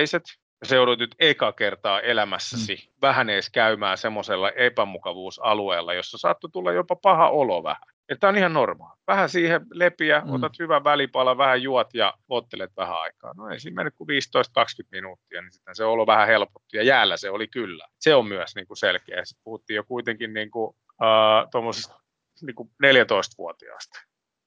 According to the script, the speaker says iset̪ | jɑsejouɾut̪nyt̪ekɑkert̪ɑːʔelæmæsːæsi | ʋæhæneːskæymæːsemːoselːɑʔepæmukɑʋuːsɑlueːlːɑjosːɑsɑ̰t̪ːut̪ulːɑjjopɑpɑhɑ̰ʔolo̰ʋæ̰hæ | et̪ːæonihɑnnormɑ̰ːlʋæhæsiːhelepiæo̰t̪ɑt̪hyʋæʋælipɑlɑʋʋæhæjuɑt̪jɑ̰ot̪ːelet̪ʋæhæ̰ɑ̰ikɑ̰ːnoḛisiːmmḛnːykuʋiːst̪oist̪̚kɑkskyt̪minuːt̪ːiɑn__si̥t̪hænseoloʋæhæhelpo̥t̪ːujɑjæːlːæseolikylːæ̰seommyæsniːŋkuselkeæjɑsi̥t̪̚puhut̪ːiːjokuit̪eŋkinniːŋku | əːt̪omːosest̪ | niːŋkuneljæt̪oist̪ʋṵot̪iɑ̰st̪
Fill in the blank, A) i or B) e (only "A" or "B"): A